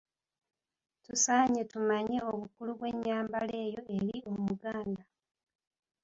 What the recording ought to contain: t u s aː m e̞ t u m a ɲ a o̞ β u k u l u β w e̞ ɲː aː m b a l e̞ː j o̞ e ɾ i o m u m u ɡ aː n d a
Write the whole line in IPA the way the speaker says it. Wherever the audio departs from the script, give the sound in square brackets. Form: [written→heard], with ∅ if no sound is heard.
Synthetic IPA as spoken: t u s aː [m→ɲ] e̞ t u m a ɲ [a→e] o̞ β u k u l u β w e̞ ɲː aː m b a l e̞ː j o̞ e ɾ i o m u m u ɡ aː n d a